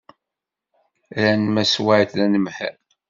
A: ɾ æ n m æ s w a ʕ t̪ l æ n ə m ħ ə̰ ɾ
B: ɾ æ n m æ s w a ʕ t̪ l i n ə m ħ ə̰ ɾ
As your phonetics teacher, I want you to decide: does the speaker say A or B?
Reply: A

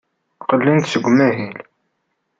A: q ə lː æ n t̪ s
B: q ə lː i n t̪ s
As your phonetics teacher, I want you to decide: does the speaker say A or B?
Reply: B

